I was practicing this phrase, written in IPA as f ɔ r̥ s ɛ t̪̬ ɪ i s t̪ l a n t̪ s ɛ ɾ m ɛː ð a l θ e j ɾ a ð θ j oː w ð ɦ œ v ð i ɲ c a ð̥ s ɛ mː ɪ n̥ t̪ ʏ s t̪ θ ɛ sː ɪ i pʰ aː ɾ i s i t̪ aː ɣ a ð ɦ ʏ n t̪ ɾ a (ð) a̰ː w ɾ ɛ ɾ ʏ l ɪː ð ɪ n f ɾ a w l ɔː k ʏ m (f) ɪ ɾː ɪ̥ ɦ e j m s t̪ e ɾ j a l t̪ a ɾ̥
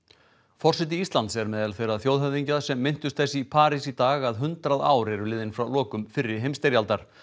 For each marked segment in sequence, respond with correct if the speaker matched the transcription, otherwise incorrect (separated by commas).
correct, correct